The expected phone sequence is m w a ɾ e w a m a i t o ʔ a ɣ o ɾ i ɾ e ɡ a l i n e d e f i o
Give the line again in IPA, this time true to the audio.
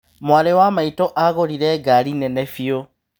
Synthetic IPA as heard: m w a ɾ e w a m a i t o ʔ a ɣ o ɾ i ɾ e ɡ a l i n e n e f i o